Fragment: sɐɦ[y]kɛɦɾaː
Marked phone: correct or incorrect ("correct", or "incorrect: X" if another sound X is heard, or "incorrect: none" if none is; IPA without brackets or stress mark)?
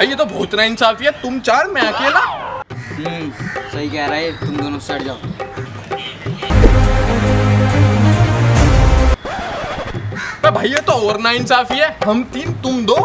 incorrect: i